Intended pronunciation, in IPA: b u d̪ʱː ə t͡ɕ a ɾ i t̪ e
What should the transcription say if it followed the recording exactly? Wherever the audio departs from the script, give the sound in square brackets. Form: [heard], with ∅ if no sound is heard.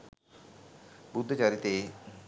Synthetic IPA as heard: b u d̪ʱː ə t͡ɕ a ɾ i t̪ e